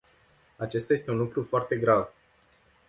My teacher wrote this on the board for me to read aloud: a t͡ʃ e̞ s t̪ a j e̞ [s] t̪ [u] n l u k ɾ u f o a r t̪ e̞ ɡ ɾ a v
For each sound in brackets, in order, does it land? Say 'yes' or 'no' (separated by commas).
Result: yes, yes